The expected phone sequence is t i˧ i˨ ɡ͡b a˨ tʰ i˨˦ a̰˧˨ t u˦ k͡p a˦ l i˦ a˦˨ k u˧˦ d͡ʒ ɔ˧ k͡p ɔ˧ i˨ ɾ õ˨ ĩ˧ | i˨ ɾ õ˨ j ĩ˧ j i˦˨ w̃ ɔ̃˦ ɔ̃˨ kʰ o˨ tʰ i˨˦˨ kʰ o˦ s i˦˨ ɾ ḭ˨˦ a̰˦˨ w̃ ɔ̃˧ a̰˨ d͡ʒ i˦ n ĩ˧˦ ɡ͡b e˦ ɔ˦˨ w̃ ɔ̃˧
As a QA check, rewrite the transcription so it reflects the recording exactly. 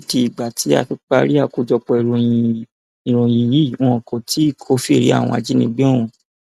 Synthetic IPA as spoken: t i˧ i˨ ɡ͡b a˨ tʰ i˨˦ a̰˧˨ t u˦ k͡p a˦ ɾ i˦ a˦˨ k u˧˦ d͡ʒ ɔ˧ k͡p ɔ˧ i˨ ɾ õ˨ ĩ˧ | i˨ ɾ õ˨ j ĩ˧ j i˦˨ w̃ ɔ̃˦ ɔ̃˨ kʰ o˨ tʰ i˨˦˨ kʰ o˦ f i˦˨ ɾ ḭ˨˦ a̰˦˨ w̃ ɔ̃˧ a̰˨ d͡ʒ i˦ n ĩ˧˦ ɡ͡b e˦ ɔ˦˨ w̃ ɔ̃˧